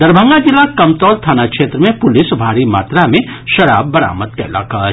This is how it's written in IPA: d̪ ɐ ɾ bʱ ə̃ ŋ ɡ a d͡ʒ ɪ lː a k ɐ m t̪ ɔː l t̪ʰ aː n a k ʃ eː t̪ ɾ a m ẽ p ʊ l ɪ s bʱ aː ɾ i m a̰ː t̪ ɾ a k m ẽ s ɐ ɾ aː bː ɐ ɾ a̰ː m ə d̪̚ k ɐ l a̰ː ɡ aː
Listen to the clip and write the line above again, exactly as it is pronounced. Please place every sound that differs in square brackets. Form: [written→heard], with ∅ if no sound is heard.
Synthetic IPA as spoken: d̪ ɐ ɾ bʱ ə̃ ŋ ɡ a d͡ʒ ɪ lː a k ɐ m t̪ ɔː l t̪ʰ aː n a k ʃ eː t̪ ɾ [a→ə] m ẽ p ʊ l ɪ s bʱ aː ɾ i m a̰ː t̪ ɾ a [k→∅] m ẽ [s→ʃ] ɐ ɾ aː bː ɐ ɾ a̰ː m ə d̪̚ k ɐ l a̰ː [ɡ→k] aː